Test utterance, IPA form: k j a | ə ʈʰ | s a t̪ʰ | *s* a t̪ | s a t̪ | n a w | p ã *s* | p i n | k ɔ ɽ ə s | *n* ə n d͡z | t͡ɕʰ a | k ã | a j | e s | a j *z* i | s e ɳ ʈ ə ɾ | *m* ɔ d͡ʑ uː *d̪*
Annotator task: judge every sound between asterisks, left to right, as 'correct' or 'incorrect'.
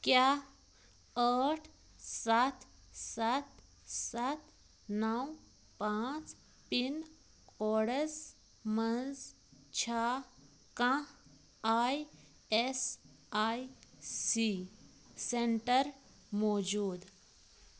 correct, incorrect, incorrect, incorrect, correct, correct

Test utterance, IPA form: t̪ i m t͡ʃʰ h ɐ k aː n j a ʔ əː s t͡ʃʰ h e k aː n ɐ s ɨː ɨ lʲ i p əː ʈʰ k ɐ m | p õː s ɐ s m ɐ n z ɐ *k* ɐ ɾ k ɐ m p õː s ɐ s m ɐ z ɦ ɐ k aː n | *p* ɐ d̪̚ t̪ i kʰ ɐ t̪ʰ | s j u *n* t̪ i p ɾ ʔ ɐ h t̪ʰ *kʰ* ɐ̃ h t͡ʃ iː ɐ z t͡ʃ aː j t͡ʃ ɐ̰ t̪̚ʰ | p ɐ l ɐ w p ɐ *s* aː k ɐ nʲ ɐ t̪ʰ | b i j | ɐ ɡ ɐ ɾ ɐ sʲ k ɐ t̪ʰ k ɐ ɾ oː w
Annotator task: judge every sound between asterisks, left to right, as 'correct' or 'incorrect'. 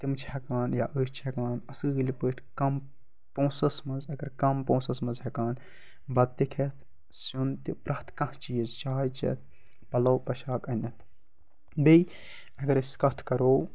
incorrect, incorrect, correct, incorrect, incorrect

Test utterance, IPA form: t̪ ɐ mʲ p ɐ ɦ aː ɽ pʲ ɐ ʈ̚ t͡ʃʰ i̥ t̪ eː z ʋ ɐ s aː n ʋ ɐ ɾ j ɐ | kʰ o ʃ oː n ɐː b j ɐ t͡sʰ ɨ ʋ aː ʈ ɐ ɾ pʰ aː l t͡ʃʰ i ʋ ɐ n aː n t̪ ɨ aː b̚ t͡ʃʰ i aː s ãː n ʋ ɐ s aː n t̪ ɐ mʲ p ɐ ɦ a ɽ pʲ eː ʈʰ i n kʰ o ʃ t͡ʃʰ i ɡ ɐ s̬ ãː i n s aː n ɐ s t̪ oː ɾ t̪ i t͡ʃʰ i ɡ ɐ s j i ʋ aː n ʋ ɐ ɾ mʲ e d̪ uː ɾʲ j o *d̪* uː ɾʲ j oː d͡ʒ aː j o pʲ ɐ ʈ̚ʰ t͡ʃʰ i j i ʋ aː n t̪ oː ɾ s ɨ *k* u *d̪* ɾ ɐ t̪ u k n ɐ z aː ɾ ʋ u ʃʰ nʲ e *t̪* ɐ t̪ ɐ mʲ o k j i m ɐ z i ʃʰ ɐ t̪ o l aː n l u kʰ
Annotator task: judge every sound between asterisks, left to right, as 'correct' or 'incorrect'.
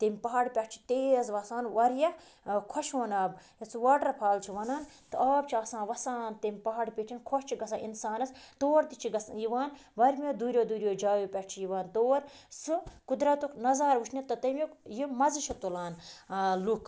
correct, correct, correct, correct

